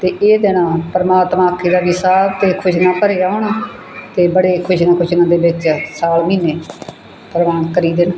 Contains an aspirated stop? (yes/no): yes